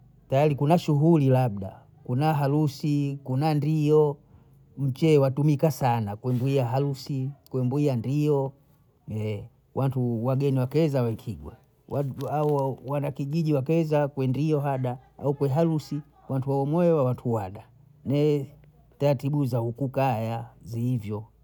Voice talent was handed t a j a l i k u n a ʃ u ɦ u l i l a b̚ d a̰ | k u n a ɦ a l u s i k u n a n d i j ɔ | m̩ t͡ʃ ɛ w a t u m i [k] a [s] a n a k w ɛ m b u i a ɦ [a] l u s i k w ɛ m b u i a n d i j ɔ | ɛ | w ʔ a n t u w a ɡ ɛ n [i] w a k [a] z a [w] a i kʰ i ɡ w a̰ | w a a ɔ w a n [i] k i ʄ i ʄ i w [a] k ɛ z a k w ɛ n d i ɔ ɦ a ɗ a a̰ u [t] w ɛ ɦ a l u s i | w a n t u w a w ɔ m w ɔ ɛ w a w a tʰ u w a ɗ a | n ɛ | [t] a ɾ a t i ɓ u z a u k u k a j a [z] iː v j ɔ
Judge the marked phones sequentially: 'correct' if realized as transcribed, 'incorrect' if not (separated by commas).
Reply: correct, correct, correct, correct, incorrect, correct, incorrect, correct, incorrect, correct, correct